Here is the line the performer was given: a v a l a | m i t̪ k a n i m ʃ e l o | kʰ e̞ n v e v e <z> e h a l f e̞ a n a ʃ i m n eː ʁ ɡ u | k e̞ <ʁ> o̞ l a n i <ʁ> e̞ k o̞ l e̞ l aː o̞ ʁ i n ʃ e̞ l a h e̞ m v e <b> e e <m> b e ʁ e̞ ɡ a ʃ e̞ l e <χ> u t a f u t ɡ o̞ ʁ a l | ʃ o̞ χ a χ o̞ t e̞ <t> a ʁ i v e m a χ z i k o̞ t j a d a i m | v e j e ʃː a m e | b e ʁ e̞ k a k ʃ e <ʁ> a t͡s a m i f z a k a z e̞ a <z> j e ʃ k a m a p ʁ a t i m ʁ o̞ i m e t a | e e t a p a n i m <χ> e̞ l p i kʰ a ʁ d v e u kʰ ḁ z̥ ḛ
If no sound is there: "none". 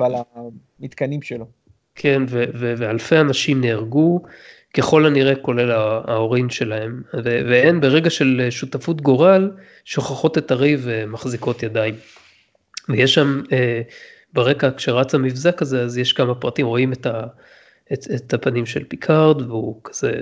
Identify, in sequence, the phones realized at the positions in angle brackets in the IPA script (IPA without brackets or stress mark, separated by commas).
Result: v, χ, ʁ, v, n, ʃ, t, ʁ, z, ʃ